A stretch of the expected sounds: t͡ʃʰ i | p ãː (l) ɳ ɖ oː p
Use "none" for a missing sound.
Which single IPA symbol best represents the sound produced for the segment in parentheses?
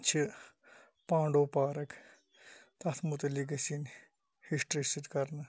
none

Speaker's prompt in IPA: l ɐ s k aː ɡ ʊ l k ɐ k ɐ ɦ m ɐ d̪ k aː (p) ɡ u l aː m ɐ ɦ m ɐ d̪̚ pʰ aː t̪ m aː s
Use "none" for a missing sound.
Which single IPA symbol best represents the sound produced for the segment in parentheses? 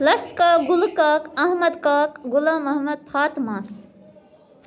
k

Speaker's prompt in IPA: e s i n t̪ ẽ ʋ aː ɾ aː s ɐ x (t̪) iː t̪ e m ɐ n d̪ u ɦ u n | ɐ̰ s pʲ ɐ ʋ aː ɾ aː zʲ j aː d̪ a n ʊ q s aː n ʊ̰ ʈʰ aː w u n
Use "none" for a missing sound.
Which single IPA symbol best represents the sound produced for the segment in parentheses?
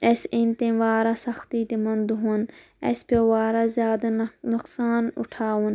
t̪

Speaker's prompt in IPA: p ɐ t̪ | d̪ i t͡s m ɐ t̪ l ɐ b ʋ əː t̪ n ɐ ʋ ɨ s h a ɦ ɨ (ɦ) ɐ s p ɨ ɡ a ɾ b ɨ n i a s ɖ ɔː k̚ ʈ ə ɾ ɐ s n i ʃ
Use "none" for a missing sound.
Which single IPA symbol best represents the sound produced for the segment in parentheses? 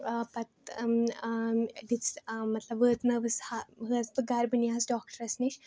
none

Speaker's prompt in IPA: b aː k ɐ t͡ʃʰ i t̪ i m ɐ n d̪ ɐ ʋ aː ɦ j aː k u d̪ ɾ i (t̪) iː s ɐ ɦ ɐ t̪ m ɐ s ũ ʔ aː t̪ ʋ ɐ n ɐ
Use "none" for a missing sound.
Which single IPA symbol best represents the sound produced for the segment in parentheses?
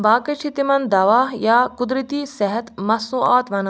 t̪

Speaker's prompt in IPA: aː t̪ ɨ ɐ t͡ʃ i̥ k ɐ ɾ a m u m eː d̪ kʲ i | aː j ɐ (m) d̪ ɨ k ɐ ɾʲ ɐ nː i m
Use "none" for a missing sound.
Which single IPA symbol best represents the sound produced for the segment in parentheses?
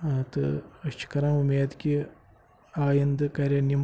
n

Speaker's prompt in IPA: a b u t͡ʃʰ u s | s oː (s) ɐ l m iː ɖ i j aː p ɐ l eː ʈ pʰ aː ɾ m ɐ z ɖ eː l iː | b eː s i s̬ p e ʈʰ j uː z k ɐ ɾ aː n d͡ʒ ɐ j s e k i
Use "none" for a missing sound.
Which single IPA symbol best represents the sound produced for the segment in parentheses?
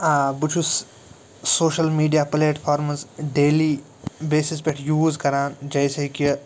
ʃ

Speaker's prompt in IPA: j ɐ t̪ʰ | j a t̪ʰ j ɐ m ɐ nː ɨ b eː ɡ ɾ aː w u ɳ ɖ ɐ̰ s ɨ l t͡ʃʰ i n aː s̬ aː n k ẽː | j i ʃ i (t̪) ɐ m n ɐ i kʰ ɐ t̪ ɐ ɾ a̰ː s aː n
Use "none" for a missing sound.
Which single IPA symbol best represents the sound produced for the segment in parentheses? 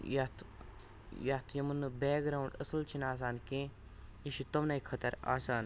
t̪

